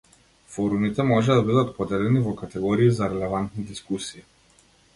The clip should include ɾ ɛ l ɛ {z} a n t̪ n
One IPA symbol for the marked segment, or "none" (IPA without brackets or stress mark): v